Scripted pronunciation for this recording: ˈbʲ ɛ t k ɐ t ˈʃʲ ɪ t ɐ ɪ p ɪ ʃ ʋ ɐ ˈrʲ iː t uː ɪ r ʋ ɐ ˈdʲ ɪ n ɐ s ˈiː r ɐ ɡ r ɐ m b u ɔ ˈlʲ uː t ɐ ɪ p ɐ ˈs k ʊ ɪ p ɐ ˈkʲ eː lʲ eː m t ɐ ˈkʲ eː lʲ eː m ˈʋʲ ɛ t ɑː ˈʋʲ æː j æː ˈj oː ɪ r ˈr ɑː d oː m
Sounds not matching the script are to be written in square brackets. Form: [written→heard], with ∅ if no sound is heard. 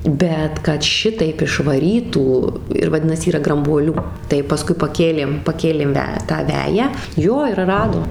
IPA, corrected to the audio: ˈbʲ ɛ t k ɐ t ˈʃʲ ɪ t ɐ ɪ p ɪ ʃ ʋ ɐ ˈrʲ iː t uː ɪ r ʋ ɐ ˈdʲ ɪ n ɐ s ˈiː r ɐ ɡ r ɐ m b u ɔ ˈlʲ uː t ɐ ɪ p ɐ ˈs k ʊ ɪ p ɐ ˈkʲ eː lʲ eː m [t→p] ɐ ˈkʲ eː lʲ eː m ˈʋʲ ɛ t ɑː ˈʋʲ æː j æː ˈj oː ɪ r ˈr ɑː d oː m